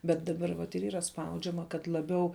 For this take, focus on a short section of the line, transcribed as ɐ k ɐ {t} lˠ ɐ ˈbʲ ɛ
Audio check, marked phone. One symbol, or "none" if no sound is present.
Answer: t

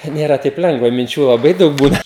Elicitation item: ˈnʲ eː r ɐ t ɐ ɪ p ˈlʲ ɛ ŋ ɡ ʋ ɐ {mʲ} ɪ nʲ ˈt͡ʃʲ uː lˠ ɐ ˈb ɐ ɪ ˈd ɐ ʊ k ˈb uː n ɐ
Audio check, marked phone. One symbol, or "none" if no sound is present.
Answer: mʲ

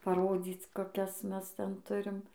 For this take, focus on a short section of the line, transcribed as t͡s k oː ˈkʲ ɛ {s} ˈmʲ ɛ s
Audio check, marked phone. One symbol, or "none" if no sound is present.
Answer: s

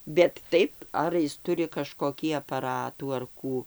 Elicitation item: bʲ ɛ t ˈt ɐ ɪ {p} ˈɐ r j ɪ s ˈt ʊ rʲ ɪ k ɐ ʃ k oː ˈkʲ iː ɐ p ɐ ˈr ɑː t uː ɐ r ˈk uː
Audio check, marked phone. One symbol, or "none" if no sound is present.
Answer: p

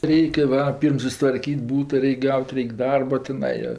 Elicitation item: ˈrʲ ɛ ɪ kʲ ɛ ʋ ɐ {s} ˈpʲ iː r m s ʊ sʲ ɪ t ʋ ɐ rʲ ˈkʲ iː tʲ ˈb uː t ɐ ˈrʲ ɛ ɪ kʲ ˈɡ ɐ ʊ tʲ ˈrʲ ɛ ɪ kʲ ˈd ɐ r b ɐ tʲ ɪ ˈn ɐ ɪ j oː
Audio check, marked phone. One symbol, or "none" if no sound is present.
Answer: none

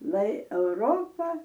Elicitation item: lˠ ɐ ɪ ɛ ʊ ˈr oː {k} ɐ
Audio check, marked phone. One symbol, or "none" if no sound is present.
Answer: p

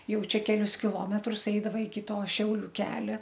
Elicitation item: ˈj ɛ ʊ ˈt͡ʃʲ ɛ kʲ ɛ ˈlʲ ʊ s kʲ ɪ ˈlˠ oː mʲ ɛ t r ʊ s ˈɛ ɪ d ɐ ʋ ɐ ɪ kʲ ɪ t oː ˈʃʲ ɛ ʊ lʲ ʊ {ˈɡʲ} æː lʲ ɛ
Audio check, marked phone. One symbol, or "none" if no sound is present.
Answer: kʲ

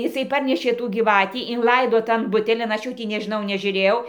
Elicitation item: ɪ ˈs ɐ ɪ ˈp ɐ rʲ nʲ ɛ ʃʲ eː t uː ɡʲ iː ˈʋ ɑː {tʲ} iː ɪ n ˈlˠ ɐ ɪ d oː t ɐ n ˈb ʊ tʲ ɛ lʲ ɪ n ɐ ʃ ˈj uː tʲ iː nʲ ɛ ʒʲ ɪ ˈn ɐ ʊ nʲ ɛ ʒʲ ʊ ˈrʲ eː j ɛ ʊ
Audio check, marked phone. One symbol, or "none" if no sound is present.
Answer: tʲ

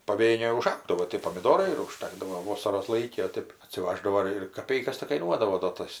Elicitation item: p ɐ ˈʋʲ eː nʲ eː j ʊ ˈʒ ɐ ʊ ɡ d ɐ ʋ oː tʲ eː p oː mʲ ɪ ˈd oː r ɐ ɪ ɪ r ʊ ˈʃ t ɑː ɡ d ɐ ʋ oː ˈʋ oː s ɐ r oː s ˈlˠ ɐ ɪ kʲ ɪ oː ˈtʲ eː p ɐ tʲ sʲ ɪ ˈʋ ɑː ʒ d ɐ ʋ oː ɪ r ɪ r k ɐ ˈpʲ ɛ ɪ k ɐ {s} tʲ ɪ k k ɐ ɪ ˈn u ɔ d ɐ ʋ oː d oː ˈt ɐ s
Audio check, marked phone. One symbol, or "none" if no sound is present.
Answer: s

